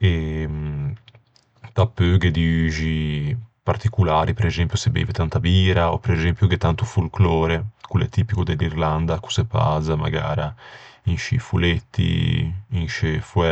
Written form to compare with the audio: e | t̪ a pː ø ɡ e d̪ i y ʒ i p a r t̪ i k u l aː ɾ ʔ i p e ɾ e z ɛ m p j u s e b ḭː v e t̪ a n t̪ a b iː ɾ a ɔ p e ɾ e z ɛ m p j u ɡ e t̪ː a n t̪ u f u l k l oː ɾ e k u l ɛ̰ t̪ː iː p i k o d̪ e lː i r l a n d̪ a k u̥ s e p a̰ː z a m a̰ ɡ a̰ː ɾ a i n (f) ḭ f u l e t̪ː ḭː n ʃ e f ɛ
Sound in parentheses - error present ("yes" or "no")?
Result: yes